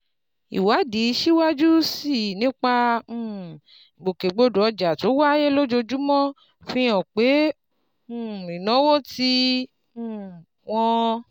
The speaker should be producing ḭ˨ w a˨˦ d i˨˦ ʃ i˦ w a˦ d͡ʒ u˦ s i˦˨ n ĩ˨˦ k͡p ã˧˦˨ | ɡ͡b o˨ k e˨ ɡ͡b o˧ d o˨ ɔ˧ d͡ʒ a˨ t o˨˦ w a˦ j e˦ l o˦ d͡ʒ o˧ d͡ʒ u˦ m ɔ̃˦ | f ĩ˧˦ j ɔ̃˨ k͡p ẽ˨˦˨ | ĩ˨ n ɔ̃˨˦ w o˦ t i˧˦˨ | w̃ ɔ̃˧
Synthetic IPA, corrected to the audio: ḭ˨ w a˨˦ d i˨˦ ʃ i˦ w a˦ d͡ʒ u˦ s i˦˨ n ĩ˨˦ k͡p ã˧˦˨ | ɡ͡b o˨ k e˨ ɡ͡b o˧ d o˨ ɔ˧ d͡ʒ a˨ t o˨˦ w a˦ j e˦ l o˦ d͡ʒ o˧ d͡ʒ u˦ m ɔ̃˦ | f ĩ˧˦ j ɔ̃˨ k͡p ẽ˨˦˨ | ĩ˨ n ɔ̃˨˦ w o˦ t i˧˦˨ | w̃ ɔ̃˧

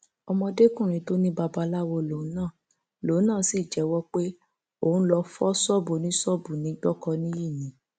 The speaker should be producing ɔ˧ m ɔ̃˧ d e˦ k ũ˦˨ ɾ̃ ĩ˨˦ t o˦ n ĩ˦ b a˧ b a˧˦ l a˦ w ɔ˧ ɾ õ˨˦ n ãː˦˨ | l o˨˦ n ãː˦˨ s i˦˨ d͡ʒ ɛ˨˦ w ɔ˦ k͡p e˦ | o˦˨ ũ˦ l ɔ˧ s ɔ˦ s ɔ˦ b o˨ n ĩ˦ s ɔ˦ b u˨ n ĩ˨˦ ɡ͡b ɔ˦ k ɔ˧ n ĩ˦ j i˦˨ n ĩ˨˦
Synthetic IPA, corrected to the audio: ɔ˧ m ɔ̃˧ d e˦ k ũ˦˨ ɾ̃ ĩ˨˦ t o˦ n ĩ˦ b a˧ b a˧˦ l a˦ w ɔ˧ l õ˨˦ n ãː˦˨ | l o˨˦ n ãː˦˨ s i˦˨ d͡ʒ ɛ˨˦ w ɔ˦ k͡p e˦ | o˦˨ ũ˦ l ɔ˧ f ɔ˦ s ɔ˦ b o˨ n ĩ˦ s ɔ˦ b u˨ n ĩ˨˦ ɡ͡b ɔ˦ k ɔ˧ n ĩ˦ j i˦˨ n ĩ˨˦

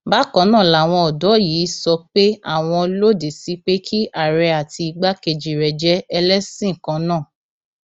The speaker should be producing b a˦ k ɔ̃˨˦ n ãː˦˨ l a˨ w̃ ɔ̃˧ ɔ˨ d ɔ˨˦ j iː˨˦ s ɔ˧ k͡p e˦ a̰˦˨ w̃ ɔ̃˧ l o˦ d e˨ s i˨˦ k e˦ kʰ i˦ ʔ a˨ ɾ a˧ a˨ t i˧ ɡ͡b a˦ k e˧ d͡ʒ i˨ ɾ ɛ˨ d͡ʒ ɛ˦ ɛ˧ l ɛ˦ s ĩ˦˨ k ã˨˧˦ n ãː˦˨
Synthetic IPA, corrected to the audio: b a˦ k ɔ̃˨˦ n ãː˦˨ l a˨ w̃ ɔ̃˧ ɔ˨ d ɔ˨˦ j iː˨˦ s ɔ˧ k͡p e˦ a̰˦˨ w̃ ɔ̃˧ l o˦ d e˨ s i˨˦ k͡p e˦ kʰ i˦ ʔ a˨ ɾ ɛ˧ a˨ t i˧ ɡ͡b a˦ k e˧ d͡ʒ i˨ ɾ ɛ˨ d͡ʒ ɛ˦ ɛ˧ l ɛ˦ s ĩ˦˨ k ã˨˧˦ n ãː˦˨

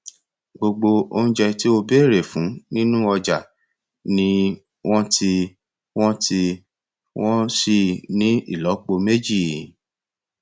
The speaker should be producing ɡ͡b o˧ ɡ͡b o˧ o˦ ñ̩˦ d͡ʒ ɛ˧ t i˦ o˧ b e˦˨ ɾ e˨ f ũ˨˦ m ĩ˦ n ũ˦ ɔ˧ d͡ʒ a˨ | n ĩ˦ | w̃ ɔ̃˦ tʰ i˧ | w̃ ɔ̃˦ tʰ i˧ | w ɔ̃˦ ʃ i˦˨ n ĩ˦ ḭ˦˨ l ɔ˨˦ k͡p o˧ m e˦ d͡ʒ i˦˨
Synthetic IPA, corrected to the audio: ɡ͡b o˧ ɡ͡b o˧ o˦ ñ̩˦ d͡ʒ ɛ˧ t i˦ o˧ b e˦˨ ɾ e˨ f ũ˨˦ n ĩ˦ n ũ˦ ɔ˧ d͡ʒ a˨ | n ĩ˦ | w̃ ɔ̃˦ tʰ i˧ | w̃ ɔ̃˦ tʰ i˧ | w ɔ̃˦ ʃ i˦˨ n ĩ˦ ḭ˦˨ l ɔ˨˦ k͡p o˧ m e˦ d͡ʒ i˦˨

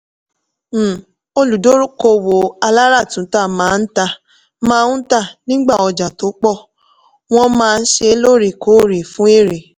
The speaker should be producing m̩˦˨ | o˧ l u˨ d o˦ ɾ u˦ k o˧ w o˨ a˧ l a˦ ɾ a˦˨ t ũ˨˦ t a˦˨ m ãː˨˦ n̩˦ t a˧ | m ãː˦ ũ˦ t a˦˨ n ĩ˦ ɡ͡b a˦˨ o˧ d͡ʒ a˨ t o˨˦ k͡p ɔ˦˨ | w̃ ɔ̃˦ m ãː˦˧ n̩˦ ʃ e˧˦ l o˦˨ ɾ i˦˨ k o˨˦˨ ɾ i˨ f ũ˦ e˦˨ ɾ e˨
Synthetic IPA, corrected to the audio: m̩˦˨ | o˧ l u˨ d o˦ ɾ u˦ k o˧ w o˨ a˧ l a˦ ɾ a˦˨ t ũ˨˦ t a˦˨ m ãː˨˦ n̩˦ t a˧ | m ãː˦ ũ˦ t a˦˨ n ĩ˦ ɡ͡b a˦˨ ɔ˧ d͡ʒ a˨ t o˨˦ k͡p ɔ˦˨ | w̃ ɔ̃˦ m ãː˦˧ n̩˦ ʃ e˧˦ l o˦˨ ɾ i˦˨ k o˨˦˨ ɾ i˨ f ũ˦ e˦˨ ɾ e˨

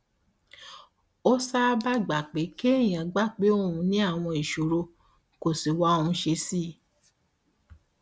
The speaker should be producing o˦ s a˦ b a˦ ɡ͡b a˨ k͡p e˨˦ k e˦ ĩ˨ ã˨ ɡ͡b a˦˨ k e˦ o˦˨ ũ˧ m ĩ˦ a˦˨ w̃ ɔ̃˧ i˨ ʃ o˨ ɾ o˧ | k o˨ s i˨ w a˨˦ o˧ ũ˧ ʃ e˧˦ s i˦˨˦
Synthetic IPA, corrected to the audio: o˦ s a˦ b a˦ ɡ͡b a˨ k͡p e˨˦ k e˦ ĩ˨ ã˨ ɡ͡b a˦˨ k͡p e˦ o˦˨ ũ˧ n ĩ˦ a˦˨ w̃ ɔ̃˧ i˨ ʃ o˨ ɾ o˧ | k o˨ s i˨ w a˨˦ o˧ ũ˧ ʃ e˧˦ s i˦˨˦

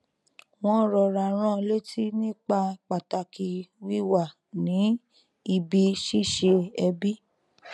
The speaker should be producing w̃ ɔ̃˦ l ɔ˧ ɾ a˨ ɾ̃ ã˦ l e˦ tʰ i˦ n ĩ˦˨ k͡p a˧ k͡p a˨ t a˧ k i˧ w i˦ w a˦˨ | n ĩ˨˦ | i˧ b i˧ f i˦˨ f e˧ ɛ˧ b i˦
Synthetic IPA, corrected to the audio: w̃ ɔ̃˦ ɾ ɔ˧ ɾ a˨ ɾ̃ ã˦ l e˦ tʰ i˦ n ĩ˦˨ k͡p a˧ k͡p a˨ t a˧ k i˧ w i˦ w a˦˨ | n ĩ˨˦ | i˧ b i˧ ʃ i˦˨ ʃ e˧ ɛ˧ b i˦

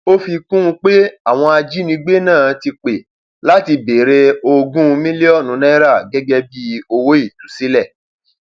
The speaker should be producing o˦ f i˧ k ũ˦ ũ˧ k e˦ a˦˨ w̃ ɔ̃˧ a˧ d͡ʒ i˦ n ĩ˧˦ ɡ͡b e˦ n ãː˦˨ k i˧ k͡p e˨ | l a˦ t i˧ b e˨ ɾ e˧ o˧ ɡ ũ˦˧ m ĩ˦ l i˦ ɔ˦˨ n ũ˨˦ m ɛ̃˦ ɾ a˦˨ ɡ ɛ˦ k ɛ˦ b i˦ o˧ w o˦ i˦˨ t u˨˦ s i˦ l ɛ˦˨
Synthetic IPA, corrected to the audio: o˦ f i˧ k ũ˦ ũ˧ k͡p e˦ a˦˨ w̃ ɔ̃˧ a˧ d͡ʒ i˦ n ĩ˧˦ ɡ͡b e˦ n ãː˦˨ t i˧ k͡p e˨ | l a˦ t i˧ b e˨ ɾ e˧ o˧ ɡ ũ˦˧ m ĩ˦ l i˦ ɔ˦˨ n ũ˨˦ n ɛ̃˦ ɾ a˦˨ ɡ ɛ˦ ɡ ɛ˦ b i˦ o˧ w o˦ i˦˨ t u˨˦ s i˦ l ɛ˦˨

